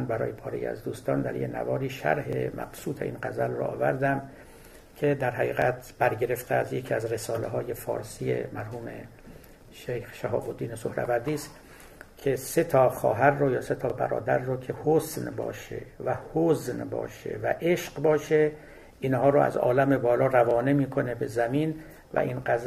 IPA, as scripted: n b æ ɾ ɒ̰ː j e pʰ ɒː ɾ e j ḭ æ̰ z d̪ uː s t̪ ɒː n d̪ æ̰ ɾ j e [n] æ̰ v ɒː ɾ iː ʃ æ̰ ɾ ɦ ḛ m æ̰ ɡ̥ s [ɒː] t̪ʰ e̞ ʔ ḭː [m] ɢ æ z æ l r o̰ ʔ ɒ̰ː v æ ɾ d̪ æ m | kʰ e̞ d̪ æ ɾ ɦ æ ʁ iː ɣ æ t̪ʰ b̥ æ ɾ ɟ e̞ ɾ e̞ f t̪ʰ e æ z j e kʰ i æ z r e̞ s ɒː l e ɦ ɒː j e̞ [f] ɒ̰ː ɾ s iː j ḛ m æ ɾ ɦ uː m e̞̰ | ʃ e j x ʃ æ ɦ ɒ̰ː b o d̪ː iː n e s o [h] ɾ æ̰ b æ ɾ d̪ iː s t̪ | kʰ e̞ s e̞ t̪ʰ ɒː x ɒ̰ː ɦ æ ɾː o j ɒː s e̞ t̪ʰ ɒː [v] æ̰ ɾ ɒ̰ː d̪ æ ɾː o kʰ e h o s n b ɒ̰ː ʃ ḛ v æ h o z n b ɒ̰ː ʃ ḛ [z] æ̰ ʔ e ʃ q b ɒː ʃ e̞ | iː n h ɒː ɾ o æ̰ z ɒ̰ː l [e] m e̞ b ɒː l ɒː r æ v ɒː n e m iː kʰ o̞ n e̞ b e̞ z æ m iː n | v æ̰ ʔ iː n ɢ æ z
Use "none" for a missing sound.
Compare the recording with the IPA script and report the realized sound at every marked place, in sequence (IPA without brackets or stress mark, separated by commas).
n, uː, n, f, h, b, v, æ